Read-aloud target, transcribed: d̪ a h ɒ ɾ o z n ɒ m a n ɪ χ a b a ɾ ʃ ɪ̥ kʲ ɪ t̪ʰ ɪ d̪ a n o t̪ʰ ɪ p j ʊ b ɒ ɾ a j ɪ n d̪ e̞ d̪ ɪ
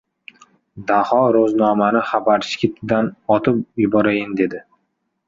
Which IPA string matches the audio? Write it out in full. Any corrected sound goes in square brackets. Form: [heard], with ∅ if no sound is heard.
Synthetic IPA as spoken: d̪ a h ɒ ɾ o z n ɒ m a n ɪ χ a b a ɾ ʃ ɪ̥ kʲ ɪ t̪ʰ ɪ d̪ a n [ɒ] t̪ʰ ɪ p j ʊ b ɒ ɾ a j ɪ n d̪ e̞ d̪ ɪ